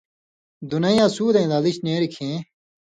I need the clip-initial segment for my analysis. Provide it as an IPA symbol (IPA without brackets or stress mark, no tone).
d̪